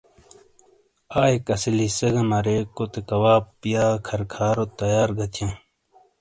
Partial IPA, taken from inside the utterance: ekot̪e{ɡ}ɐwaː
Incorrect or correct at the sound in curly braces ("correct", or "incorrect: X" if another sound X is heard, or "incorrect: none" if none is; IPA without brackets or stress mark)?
incorrect: k